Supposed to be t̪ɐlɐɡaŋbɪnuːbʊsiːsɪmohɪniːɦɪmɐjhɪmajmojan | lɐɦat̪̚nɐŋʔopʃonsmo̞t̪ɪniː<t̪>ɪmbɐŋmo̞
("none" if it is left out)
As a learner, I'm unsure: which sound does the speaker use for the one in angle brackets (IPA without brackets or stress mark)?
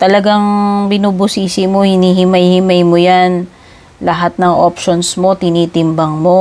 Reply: t̪